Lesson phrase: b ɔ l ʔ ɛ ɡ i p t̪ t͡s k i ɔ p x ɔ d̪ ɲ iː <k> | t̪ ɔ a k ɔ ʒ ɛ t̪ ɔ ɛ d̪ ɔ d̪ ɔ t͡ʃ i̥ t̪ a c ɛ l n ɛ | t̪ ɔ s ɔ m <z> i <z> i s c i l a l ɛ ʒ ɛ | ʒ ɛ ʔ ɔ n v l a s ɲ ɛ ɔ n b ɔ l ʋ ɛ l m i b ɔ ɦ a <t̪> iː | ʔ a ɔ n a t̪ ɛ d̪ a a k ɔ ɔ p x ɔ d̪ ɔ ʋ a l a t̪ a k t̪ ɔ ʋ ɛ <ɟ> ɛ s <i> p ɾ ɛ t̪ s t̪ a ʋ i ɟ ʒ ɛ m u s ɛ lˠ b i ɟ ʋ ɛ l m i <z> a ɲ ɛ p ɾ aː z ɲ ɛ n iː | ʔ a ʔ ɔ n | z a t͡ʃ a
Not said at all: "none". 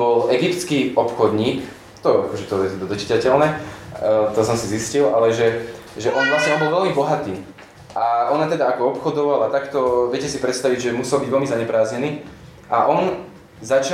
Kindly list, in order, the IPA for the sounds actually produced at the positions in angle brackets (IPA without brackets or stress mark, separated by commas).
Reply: k, s, z, t̪, c, i, z